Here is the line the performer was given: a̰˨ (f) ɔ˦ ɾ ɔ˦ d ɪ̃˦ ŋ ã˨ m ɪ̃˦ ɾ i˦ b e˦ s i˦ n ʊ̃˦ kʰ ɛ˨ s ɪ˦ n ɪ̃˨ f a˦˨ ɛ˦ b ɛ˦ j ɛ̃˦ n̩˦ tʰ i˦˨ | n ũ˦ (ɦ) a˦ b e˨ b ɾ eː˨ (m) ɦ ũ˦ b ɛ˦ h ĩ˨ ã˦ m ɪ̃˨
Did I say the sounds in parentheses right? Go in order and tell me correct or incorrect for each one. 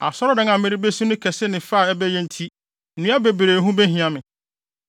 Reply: incorrect, incorrect, incorrect

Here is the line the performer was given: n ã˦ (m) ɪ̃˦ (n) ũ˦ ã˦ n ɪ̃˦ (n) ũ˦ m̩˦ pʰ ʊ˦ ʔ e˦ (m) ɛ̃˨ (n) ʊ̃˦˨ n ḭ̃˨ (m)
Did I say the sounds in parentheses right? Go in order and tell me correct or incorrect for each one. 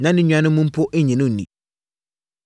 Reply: incorrect, incorrect, incorrect, incorrect, correct, incorrect

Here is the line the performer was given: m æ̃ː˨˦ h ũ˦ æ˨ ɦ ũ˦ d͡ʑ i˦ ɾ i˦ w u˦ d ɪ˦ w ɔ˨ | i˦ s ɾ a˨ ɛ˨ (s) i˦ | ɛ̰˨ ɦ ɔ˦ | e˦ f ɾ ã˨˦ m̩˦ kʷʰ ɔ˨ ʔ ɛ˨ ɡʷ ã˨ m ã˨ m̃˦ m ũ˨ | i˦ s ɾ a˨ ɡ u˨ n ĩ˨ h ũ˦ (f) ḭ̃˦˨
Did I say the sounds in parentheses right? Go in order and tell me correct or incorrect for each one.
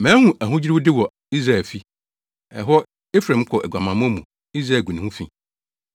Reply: incorrect, correct

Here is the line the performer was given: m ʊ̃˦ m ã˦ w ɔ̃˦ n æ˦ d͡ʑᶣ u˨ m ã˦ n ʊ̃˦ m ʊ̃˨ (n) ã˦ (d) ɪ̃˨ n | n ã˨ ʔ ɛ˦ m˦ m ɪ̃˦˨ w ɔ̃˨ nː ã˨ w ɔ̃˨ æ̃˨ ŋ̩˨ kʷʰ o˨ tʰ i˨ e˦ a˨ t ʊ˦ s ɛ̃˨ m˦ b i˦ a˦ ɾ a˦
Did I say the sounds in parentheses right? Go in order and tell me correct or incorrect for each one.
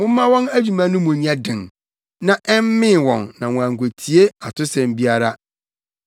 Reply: incorrect, correct

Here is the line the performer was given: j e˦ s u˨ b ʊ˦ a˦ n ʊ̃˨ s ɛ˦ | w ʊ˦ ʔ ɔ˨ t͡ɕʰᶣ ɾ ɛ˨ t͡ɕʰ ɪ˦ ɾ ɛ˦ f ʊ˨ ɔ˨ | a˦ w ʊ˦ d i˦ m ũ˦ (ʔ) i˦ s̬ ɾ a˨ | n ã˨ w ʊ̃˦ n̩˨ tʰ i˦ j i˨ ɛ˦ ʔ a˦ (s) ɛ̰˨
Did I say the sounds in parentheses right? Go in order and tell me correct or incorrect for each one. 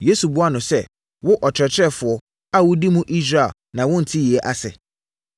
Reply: correct, correct

